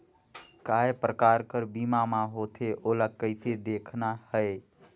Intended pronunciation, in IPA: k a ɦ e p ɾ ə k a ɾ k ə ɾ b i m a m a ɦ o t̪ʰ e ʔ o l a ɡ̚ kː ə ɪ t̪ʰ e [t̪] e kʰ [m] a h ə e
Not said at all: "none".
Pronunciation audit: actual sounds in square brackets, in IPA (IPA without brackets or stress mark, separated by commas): d̪, n